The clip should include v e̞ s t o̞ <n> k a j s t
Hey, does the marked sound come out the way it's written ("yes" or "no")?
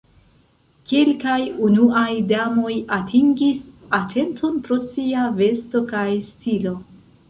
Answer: no